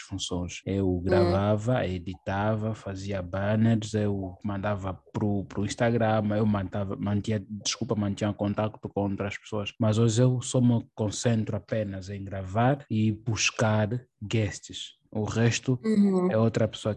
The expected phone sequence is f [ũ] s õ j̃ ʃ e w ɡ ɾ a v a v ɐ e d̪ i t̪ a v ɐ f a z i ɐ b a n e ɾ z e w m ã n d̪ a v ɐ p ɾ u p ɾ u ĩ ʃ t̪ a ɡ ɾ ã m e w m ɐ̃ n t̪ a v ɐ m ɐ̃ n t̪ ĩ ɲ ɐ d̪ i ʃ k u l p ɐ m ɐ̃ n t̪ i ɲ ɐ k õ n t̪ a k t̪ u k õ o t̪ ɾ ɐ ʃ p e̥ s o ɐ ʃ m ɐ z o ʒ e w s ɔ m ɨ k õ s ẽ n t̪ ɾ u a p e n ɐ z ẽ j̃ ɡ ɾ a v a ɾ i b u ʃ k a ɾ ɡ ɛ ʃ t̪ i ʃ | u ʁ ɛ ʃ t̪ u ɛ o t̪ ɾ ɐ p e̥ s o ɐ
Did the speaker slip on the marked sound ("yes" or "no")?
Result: no